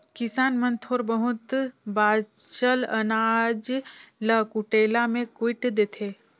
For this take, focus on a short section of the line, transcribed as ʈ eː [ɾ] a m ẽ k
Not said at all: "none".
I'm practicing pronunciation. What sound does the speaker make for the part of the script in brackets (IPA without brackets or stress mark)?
l